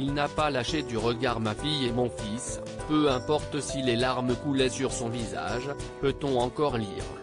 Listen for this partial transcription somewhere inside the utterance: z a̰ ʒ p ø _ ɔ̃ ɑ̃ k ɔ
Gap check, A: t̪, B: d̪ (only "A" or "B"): A